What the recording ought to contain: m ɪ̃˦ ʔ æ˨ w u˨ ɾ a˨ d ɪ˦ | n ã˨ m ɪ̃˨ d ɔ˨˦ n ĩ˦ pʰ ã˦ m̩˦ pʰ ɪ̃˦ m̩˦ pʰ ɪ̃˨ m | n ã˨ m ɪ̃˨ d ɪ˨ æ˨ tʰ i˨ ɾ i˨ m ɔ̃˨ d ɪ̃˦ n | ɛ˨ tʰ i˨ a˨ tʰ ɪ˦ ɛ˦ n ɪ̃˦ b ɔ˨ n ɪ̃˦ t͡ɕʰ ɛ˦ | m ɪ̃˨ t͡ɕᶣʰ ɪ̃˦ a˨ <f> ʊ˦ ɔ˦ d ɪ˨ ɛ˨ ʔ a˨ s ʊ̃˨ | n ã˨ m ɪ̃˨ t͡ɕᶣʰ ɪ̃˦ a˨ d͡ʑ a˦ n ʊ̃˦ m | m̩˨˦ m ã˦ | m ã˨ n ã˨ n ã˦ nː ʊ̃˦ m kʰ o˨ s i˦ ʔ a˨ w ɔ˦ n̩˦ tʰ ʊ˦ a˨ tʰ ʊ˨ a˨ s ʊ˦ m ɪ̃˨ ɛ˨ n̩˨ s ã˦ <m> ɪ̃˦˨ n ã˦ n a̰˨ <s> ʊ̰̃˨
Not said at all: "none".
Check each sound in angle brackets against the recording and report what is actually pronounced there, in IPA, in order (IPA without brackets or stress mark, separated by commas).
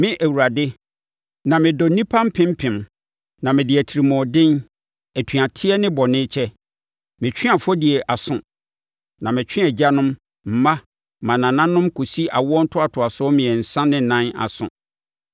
f, n, s